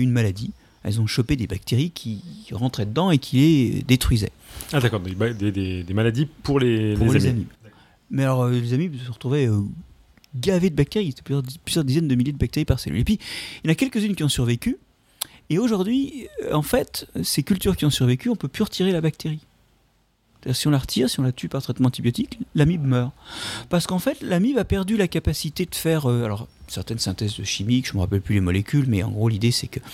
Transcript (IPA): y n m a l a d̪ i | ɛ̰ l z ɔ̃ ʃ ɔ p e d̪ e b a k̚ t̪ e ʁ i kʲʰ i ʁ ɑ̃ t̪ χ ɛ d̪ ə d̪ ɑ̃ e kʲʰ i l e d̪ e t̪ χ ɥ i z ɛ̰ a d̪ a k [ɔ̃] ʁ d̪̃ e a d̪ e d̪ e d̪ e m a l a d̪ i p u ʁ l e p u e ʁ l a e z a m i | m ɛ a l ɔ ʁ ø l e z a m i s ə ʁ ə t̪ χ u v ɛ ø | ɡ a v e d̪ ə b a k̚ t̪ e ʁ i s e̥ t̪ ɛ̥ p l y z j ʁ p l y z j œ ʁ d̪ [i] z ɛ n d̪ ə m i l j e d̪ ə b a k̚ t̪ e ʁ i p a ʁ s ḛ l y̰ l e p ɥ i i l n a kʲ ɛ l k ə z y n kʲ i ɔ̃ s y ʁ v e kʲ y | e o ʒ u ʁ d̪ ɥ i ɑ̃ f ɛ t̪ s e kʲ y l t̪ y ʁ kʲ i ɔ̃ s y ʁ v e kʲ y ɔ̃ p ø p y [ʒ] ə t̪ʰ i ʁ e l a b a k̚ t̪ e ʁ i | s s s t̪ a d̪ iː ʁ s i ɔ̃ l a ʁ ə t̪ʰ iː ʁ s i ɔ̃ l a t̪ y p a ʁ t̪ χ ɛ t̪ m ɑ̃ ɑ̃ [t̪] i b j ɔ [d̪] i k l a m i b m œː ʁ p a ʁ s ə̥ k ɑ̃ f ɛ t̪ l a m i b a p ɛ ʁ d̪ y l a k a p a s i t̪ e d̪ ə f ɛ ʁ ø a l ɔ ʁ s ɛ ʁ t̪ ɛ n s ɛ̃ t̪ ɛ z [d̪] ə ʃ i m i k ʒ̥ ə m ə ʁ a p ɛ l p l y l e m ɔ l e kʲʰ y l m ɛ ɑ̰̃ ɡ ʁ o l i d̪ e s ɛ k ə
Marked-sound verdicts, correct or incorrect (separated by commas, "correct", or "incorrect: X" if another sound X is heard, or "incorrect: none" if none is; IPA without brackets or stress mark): incorrect: ɔ, correct, incorrect: ʁ, correct, incorrect: t̪, correct